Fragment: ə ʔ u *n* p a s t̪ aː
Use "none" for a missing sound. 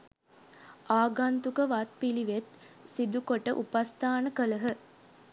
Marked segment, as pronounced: none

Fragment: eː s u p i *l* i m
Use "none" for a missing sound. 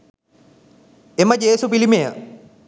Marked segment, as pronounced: l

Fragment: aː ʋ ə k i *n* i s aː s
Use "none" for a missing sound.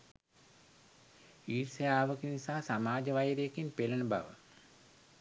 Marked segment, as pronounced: n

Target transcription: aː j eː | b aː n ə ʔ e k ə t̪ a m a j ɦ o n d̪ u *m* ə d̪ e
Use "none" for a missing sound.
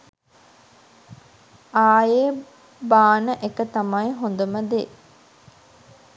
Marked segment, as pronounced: m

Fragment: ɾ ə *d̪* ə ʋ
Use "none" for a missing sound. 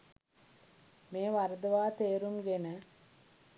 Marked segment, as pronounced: d̪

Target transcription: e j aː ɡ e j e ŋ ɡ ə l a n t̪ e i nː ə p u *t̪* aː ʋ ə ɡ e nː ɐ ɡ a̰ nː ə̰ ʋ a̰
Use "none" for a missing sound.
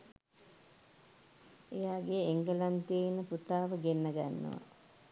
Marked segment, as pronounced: t̪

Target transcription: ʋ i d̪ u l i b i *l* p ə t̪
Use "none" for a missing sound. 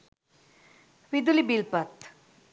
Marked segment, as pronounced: l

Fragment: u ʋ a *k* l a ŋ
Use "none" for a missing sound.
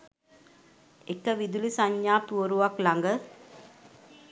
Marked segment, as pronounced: k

